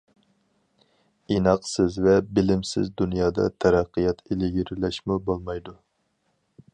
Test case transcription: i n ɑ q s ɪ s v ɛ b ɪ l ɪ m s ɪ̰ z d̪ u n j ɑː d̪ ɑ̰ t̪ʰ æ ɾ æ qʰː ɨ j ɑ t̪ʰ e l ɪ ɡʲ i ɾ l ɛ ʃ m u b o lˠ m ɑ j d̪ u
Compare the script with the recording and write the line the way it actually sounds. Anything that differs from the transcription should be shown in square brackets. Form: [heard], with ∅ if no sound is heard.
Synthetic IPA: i n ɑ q s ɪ [z] v ɛ b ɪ l ɪ m s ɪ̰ z d̪ u n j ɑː d̪ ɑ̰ t̪ʰ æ ɾ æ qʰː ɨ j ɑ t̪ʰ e l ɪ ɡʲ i ɾ l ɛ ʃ m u b o lˠ m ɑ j d̪ u